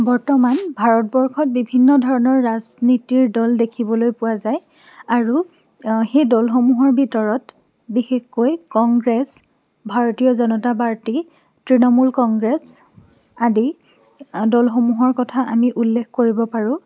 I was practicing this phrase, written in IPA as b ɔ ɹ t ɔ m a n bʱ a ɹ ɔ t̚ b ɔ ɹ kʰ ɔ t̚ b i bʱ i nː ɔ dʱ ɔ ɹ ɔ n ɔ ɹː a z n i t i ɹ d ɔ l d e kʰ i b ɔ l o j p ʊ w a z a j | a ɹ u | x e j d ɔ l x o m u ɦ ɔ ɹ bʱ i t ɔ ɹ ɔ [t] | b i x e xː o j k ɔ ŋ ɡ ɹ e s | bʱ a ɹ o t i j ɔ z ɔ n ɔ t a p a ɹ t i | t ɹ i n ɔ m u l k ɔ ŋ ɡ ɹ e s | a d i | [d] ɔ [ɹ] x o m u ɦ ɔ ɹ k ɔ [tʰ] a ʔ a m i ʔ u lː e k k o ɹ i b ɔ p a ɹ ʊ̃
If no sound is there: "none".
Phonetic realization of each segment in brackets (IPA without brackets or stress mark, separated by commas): t, d, l, tʰ